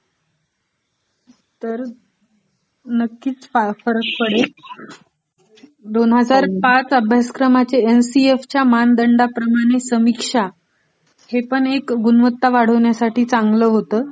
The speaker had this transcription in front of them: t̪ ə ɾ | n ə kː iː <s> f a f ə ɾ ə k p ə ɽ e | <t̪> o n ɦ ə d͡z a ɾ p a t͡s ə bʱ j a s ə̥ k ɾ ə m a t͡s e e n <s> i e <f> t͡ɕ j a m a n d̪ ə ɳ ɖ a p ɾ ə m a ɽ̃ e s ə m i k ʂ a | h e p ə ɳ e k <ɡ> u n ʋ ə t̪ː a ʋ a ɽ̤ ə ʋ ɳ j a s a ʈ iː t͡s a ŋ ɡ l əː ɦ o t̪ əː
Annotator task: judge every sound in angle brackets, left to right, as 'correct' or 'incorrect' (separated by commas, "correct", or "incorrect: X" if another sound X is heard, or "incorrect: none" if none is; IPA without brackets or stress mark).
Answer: incorrect: t͡s, incorrect: d̪, correct, correct, correct